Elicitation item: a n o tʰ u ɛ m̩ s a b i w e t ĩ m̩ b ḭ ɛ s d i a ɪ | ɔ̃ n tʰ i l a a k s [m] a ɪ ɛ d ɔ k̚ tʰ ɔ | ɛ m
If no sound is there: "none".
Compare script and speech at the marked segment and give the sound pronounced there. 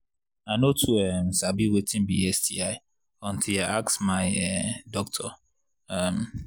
m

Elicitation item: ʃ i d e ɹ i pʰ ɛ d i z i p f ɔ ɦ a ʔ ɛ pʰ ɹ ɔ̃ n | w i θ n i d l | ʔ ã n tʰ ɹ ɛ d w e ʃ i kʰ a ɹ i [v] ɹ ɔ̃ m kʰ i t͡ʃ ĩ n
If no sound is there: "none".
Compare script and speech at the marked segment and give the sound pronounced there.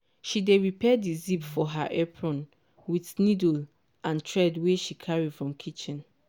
f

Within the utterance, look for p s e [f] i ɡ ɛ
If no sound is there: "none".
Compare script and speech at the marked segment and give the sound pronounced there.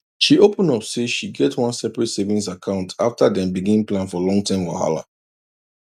ʃ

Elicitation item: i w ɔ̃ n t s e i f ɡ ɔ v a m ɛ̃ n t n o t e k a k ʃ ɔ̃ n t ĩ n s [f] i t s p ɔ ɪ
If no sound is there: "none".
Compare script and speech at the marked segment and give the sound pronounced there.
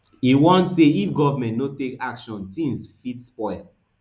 f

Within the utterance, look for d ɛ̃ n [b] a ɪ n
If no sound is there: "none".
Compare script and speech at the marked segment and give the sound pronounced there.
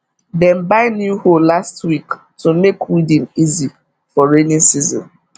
b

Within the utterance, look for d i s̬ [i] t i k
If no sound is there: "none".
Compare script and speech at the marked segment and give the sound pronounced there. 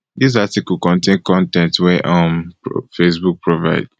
a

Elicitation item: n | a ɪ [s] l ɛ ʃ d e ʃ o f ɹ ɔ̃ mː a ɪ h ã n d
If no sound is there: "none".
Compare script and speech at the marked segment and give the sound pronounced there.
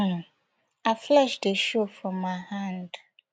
f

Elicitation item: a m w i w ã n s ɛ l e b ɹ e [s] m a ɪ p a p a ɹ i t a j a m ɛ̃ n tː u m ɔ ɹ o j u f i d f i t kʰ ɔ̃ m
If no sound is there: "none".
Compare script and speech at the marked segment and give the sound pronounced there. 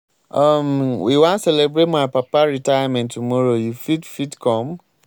t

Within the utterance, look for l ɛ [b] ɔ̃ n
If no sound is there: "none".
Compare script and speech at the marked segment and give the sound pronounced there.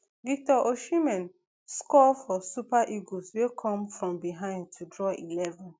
v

